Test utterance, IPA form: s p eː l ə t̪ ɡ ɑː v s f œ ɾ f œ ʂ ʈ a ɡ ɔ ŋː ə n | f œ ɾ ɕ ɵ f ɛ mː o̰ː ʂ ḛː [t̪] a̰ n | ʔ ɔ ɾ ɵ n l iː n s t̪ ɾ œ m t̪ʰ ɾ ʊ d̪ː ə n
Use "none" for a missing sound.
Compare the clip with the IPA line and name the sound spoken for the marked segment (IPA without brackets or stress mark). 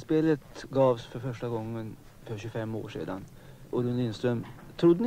d̪